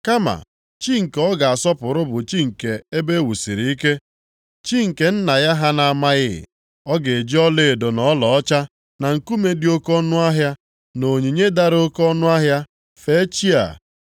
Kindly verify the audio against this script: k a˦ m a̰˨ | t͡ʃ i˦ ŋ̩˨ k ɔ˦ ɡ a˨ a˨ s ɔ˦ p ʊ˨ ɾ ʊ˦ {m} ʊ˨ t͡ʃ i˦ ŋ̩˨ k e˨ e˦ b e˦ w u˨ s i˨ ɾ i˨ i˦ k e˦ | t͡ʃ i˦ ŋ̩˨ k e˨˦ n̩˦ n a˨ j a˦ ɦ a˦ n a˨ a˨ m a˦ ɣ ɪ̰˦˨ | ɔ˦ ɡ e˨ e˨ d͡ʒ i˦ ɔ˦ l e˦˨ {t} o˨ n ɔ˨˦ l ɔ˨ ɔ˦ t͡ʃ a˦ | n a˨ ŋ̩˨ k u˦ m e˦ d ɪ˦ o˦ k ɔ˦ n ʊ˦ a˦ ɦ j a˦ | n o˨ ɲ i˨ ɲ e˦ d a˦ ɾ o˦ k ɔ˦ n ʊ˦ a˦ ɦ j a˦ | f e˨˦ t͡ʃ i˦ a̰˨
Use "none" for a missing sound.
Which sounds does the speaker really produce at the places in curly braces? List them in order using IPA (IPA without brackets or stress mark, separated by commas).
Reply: b, d